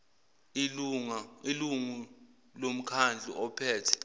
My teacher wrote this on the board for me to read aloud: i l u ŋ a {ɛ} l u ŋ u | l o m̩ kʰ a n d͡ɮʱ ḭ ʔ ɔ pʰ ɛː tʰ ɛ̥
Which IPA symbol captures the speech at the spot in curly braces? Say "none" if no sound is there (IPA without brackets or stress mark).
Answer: i